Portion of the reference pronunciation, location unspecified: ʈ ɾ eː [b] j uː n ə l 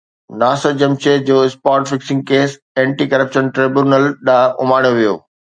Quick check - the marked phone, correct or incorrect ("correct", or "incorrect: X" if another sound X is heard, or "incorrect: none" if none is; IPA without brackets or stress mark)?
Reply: correct